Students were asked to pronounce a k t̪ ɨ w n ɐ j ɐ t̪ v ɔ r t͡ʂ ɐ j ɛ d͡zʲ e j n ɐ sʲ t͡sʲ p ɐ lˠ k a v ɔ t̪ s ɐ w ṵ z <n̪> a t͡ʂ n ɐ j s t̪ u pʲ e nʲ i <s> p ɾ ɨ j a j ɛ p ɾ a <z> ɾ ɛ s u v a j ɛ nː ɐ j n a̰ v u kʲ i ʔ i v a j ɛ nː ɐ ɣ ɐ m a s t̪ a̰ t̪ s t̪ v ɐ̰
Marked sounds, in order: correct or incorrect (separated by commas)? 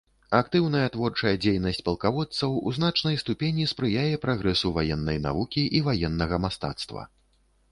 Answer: correct, correct, incorrect